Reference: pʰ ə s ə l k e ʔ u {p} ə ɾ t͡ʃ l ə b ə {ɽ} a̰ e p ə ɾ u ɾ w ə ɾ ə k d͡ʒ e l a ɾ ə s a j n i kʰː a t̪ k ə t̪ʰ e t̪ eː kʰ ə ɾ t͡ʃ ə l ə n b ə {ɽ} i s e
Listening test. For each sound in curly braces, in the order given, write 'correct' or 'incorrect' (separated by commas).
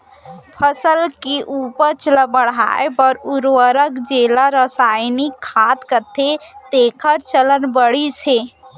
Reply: correct, correct, correct